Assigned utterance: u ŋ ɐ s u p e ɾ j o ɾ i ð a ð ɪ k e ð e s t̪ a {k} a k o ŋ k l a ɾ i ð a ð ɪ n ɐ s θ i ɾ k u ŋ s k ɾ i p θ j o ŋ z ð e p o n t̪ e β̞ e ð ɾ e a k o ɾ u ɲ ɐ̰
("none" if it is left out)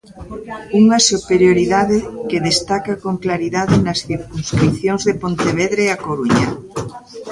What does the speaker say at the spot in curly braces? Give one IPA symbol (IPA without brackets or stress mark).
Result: k